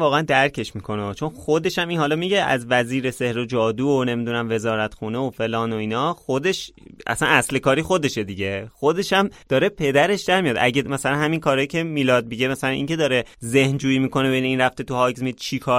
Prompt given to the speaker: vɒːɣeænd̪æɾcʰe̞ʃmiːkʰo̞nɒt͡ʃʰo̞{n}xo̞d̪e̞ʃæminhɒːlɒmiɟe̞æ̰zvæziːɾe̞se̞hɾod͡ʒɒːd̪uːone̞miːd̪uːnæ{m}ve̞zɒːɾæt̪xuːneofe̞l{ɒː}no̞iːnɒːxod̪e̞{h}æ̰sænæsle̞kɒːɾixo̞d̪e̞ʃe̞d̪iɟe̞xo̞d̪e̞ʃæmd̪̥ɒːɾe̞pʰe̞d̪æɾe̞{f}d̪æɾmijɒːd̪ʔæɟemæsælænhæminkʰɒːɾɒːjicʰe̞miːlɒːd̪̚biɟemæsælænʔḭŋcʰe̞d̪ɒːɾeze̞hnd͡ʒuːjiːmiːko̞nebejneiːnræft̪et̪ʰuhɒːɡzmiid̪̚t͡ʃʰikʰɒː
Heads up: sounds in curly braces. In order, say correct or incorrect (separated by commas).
correct, correct, correct, incorrect, incorrect